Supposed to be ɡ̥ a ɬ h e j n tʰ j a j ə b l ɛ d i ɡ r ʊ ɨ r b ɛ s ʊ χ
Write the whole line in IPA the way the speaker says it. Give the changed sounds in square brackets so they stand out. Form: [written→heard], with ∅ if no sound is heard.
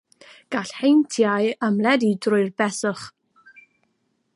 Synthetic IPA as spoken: ɡ̥ a ɬ h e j n tʰ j a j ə [b→m] l ɛ d i [ɡ→d] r ʊ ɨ r b ɛ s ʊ χ